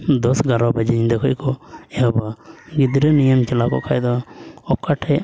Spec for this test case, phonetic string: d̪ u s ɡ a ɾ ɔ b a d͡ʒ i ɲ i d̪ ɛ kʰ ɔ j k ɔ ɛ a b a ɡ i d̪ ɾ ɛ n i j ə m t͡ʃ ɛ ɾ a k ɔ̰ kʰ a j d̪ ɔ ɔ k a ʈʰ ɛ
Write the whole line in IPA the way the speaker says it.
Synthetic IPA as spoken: d̪ ɔ s ɡ a ɾ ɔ b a d͡ʒ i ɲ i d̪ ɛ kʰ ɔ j k ɔ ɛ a b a ɡ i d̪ ɾ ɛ n i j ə m t͡ʃ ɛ l a k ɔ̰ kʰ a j d̪ ɔ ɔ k a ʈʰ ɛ

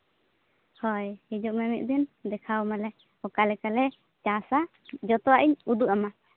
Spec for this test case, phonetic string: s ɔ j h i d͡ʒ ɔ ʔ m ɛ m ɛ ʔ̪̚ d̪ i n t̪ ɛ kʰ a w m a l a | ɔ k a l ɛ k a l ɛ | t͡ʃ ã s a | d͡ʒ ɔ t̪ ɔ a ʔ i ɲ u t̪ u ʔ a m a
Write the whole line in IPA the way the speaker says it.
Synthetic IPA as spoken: h ɔ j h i d͡ʒ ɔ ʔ m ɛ m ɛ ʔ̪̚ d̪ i n d̪ ɛ kʰ a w m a l ɛ | ɔ k a l ɛ k a l ɛ | t͡ʃ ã s a | d͡ʒ ɔ t̪ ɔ a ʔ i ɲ u d̪ u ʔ a m a

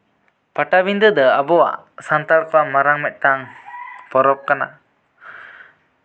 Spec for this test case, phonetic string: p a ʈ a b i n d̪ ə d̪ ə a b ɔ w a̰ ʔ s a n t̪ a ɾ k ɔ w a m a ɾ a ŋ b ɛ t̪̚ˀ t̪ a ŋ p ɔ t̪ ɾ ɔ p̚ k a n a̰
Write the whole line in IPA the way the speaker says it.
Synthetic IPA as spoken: p a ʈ a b i n d̪ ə d̪ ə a b ɔ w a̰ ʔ s a n t̪ a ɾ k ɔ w a m a ɾ a ŋ m ɛ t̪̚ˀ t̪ a ŋ p ɔ ɾ ɔ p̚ k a n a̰

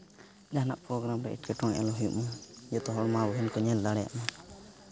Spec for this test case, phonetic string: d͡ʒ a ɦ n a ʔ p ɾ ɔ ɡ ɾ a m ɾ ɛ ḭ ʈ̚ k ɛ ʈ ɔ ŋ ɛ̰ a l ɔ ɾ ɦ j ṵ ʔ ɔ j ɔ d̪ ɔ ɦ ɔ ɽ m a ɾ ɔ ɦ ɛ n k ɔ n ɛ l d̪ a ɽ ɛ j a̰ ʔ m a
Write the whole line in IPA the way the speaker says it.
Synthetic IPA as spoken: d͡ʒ a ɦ n a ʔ p ɾ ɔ ɡ ɾ a m ɾ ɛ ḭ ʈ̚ k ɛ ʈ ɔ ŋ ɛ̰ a l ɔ ɦ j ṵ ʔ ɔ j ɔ t̪ ɔ ɦ ɔ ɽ m a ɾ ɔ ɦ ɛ n k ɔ ɲ ɛ l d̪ a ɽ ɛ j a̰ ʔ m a

